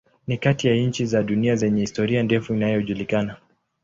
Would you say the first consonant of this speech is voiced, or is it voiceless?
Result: voiced